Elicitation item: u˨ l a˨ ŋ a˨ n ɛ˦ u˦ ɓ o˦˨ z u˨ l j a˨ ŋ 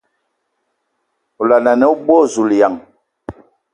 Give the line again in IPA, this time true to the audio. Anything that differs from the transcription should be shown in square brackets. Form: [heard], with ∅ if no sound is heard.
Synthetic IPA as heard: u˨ l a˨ [n] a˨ n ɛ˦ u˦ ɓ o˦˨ z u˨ l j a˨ ŋ